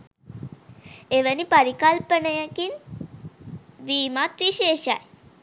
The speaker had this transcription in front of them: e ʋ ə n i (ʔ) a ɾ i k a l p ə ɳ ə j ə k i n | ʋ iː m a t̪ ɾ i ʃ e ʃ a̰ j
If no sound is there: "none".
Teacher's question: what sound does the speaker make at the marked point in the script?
p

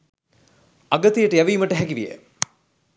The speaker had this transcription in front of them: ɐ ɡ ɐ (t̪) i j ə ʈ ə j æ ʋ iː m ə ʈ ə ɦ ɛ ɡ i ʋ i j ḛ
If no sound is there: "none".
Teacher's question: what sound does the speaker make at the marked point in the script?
t̪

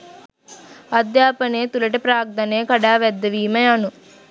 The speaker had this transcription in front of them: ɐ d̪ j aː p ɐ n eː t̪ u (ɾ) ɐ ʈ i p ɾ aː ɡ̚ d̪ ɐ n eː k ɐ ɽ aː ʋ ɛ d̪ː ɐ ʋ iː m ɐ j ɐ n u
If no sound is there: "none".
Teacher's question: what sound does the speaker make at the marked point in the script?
l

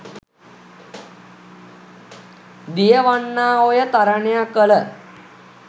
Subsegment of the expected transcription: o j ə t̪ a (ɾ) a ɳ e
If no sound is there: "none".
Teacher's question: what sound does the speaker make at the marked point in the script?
ɾ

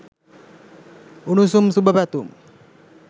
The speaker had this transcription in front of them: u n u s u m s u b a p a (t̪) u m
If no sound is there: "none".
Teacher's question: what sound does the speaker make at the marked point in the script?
t̪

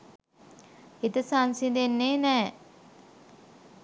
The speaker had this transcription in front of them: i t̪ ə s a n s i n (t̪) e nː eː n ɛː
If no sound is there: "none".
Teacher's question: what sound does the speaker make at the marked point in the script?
d̪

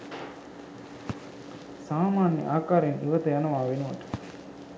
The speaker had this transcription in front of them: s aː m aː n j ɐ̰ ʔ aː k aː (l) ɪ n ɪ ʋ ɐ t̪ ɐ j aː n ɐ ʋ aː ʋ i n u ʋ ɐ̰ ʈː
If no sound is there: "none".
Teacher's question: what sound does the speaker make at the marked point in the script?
ɾ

